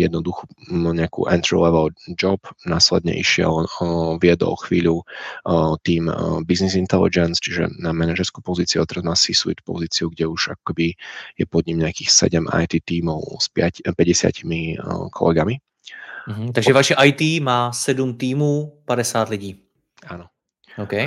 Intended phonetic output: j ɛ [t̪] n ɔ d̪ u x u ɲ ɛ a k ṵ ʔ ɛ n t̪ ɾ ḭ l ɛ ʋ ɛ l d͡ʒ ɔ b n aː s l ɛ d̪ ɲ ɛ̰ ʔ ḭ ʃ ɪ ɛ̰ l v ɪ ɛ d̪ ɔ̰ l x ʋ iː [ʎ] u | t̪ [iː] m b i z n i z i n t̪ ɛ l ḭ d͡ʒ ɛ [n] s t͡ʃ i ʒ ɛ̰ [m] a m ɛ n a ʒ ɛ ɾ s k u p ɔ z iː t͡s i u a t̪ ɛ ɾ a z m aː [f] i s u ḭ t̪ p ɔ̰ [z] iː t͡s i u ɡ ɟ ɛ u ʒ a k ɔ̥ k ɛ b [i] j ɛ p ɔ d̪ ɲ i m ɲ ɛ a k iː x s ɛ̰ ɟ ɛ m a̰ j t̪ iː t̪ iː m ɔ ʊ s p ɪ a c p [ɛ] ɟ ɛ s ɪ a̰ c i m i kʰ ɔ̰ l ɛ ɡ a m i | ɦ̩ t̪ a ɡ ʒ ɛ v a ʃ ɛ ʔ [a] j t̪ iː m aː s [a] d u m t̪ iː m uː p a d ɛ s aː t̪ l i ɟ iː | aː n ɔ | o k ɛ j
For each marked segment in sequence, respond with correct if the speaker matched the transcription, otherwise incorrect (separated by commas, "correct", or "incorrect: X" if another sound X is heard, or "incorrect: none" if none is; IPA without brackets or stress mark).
incorrect: d̪, correct, correct, correct, incorrect: n, incorrect: s, correct, correct, correct, correct, incorrect: ɛ